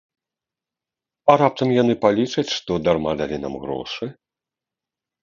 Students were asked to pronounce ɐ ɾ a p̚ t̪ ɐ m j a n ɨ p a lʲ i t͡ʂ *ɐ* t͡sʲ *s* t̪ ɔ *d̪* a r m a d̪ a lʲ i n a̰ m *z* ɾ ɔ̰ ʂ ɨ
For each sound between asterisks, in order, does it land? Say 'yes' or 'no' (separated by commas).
yes, no, yes, no